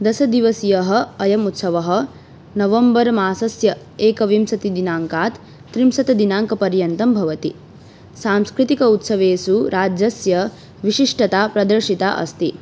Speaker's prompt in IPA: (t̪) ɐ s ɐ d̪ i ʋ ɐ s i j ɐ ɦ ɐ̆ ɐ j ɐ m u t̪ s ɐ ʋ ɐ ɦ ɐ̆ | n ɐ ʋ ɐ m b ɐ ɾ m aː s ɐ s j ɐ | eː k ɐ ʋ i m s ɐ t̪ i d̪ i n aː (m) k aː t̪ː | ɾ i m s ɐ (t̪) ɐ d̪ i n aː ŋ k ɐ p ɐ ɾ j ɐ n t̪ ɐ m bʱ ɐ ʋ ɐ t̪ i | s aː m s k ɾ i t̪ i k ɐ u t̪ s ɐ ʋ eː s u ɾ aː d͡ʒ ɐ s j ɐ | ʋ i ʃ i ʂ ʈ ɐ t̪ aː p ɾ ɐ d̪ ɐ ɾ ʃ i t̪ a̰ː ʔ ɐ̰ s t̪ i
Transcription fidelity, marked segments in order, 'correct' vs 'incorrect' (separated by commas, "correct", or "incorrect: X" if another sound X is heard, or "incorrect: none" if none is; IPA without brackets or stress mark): incorrect: d̪, incorrect: ŋ, correct